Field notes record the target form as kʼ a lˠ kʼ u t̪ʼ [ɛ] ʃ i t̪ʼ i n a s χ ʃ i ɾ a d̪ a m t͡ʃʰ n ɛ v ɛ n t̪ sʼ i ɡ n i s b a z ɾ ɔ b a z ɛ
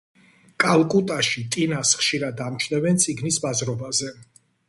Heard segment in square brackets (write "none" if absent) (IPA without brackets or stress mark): a